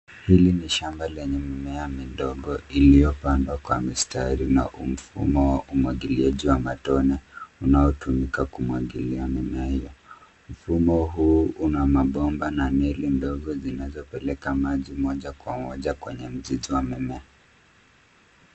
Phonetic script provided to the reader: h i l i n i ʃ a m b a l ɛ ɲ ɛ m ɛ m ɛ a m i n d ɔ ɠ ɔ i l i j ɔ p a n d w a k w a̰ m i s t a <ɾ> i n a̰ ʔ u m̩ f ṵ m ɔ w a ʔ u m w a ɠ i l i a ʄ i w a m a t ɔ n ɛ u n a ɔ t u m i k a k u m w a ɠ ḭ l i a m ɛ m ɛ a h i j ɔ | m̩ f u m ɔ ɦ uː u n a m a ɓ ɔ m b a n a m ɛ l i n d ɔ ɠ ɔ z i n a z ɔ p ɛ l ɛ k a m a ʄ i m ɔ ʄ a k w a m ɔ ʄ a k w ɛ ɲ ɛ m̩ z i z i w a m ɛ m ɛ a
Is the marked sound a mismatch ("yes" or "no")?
no